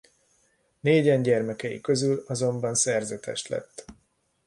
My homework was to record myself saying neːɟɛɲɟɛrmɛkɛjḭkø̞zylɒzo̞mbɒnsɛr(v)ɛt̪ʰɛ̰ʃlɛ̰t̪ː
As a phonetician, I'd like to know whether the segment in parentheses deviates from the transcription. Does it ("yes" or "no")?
yes